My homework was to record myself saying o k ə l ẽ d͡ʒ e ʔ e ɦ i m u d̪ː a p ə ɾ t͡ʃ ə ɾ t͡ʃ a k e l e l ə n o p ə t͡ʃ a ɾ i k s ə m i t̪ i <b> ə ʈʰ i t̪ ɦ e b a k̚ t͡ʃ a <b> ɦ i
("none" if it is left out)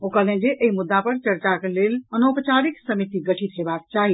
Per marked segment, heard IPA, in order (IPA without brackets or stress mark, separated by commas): ɡ, none